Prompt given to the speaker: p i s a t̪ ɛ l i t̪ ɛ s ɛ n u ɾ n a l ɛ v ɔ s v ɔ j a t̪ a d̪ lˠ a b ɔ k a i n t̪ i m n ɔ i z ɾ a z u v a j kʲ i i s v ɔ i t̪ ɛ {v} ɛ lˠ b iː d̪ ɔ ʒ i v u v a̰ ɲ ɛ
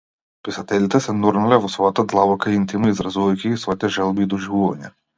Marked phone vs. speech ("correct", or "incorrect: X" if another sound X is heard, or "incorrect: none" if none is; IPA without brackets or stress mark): incorrect: ʒ